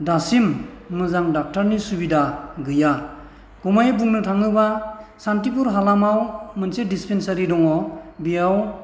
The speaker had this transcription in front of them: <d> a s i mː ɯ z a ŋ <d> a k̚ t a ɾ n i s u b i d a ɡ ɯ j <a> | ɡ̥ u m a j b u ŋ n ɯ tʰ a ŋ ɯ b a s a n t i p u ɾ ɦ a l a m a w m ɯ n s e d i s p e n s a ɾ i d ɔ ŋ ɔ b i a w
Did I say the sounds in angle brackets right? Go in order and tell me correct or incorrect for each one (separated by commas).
correct, correct, correct